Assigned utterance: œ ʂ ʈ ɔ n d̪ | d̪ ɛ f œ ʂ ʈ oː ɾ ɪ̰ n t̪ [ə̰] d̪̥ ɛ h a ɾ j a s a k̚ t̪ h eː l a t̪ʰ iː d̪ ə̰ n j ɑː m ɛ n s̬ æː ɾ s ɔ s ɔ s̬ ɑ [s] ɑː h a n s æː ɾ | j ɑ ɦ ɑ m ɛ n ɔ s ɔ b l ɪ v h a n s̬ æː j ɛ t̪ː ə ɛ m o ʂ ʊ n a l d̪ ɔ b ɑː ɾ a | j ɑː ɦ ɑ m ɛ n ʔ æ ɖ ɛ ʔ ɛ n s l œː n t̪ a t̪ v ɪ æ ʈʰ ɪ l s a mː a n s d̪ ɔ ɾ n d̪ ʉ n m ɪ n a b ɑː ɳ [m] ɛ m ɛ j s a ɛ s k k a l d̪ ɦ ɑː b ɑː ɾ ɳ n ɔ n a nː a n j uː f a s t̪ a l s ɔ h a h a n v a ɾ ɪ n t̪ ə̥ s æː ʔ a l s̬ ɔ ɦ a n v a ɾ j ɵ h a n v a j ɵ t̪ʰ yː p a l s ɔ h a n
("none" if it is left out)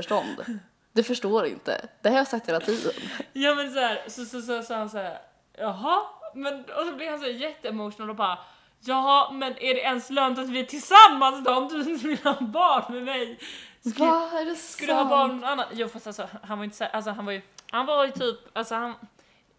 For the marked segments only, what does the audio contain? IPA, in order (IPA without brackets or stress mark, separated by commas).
ə̰, s, m